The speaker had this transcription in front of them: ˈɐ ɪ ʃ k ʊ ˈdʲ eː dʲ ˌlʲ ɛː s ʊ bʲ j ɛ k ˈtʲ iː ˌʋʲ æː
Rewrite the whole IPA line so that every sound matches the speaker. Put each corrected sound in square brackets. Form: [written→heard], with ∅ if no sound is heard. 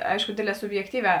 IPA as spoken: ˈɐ ɪ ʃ k ʊ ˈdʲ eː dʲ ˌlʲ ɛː s ʊ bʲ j ɛ k ˈtʲ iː ˌʋʲ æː